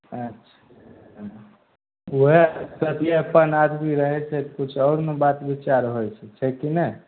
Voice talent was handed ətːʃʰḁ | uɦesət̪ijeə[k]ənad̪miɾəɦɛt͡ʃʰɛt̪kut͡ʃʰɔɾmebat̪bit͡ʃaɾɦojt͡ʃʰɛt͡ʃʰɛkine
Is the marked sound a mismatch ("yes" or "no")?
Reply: yes